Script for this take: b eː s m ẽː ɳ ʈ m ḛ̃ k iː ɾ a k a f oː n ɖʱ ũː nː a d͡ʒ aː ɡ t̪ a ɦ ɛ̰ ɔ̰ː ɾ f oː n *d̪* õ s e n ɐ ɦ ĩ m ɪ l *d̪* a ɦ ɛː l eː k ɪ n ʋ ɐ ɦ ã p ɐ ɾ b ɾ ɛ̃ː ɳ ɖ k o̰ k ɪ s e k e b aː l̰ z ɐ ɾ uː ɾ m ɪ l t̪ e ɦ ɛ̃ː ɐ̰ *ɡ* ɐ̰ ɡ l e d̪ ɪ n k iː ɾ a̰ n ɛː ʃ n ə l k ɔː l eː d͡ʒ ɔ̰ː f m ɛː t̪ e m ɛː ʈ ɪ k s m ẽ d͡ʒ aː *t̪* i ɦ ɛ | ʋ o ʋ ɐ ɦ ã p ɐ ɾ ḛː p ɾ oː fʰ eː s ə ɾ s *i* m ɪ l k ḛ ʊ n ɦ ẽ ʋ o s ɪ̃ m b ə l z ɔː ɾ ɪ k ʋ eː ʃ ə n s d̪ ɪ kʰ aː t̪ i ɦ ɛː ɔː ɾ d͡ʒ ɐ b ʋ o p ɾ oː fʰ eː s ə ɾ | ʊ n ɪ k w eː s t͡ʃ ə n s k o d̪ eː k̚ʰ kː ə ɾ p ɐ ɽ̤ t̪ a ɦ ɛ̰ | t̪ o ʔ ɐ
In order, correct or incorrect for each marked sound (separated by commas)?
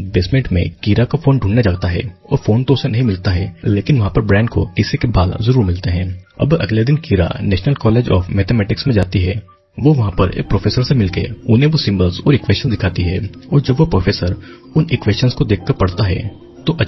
incorrect, incorrect, incorrect, correct, incorrect